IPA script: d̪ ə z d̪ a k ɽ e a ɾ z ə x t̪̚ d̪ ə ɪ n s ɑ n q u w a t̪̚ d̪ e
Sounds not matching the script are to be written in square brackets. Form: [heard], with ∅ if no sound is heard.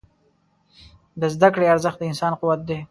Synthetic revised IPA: d̪ ə z d̪ a k ɽ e a ɾ z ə x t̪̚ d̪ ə ɪ n s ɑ n q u w a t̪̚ d̪ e

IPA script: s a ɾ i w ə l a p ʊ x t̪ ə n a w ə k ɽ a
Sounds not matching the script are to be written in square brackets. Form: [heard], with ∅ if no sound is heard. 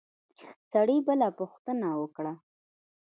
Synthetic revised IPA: s a [ɽ] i [b] ə l a p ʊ x t̪ ə n a w ə k ɽ a

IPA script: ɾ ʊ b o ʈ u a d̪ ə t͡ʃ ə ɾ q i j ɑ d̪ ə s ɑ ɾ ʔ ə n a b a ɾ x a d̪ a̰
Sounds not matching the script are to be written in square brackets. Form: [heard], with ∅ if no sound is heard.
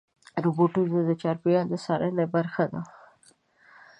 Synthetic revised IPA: ɾ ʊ b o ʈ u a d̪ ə t͡ʃ [ɑ] ɾ [p] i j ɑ d̪ ə s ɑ ɾ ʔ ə n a b a ɾ x a d̪ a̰

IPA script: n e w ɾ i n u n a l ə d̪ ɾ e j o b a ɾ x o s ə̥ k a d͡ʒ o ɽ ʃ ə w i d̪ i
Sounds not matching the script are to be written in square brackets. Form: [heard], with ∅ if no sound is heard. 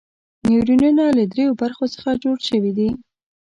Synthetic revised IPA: n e w ɾ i n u n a l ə d̪ ɾ e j o b a ɾ x o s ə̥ [x] a d͡ʒ o ɽ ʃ ə w i d̪ i

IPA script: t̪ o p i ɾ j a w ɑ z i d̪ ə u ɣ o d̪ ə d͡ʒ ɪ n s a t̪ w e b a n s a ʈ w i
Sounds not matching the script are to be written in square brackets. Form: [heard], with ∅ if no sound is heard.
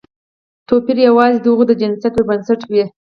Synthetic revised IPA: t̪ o p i ɾ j a w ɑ z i d̪ ə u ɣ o d̪ ə d͡ʒ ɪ n s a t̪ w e b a n s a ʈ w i

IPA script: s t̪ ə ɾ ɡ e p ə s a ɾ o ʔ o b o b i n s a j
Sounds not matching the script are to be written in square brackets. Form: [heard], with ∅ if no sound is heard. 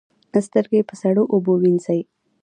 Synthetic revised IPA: s t̪ ə ɾ ɡ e p ə s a [ɽ] o ʔ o b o [w] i n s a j

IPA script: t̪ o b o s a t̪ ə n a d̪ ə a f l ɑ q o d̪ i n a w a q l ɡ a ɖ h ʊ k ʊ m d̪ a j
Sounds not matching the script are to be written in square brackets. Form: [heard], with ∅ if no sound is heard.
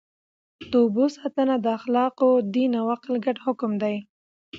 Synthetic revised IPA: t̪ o b o s [ɑ] t̪ ə n a d̪ ə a [x] l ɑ q o d̪ i n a w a q l ɡ a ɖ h ʊ k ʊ m d̪ a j

